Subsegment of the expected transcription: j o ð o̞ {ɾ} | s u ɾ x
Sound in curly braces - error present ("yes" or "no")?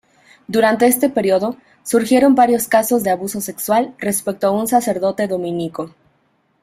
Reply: yes